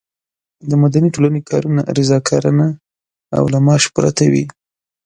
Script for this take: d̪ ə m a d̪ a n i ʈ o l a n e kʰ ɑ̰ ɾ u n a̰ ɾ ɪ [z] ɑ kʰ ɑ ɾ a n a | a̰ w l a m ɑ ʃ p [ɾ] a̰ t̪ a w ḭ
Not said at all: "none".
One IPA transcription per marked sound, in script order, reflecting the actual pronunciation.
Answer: z, ɾ

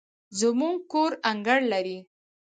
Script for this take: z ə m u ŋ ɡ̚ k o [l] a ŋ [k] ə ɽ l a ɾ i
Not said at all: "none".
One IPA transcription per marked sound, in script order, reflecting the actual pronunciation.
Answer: ɾ, ɡ

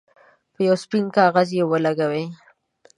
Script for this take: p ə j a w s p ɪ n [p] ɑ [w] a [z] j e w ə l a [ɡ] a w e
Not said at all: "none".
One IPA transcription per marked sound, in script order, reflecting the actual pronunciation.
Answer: k, ɣ, z, ɡ

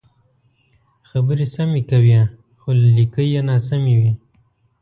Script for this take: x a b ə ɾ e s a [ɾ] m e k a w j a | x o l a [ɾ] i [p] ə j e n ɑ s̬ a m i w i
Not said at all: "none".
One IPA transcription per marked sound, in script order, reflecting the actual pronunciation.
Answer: none, l, k

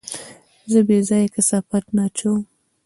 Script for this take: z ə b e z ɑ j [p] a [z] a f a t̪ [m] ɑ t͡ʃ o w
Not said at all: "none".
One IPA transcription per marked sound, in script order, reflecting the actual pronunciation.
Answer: k, s, n

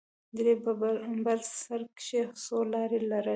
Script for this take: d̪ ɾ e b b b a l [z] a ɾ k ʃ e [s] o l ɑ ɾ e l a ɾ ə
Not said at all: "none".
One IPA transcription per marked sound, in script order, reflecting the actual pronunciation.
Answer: s, s

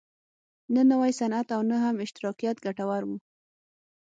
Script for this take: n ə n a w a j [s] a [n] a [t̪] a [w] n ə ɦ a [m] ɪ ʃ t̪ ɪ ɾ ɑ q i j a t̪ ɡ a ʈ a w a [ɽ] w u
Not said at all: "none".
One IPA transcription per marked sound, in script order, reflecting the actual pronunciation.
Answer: s, n, t̪, w, m, ɾ

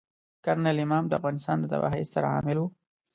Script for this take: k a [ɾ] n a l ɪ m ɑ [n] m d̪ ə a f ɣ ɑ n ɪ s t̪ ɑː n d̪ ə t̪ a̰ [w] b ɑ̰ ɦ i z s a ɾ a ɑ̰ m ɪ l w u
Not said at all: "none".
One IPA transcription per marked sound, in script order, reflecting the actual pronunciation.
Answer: ɾ, none, none

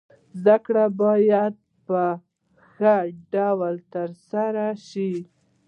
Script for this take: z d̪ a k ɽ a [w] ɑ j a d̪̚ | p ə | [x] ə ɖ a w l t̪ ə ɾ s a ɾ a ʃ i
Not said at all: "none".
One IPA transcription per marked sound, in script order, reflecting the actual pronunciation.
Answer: b, x

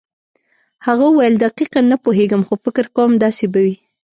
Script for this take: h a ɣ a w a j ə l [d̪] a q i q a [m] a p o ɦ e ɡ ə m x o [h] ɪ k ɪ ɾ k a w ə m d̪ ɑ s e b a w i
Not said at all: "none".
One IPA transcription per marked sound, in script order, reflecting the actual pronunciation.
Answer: d̪, n, f

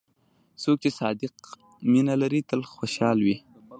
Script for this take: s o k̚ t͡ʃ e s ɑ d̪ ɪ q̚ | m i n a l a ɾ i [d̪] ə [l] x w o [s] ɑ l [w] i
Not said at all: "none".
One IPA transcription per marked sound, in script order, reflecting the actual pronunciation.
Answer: t̪, l, ʃ, w

